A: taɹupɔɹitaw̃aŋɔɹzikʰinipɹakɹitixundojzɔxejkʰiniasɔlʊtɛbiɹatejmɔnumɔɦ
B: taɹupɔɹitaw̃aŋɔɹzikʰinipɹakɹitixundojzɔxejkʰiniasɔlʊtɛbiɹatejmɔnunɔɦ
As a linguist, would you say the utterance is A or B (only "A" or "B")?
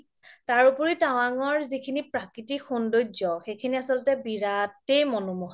A